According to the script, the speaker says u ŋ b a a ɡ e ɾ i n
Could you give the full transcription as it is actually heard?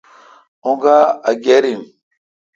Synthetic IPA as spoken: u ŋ ɡ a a ɡ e ɾ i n